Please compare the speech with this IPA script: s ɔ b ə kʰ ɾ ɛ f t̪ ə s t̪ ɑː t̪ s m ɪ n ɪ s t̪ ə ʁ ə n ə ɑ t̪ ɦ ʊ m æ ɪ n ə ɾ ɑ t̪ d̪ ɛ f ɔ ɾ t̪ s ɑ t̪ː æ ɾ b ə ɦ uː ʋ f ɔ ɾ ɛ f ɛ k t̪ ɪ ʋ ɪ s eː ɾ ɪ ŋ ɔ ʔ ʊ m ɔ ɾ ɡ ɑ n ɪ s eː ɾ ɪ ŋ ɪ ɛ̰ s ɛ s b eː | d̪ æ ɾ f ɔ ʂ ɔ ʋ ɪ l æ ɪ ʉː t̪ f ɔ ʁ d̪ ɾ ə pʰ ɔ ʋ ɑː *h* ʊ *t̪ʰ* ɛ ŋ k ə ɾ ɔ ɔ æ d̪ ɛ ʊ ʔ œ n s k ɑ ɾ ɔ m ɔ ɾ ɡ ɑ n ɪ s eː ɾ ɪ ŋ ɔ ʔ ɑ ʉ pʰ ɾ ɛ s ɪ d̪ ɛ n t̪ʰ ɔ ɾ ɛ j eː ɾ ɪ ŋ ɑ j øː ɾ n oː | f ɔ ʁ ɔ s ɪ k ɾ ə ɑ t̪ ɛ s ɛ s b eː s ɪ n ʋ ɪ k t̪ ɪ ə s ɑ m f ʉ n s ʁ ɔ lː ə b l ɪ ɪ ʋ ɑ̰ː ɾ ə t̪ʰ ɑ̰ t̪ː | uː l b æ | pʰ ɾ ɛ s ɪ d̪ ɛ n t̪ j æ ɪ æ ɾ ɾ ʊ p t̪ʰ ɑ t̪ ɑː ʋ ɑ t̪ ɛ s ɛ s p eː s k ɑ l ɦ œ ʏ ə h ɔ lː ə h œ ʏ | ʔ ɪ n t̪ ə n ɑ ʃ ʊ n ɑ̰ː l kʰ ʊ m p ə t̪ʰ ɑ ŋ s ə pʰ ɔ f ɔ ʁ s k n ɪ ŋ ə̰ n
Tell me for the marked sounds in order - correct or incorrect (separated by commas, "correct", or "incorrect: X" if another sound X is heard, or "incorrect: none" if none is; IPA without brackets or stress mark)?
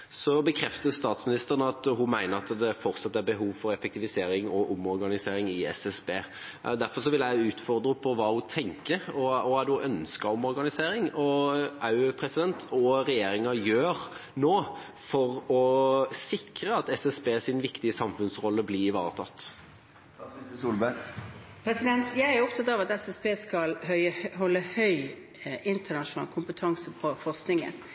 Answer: correct, correct